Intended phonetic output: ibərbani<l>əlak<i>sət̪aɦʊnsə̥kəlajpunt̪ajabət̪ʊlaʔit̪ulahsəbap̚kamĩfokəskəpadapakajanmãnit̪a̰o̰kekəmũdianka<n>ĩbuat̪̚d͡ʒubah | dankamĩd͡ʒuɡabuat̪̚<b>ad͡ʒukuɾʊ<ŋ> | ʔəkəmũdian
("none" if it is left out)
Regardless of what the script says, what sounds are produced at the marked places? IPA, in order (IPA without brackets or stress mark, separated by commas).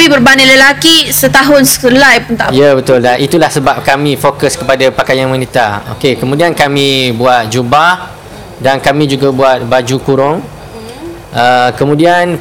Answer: l, i, m, b, ŋ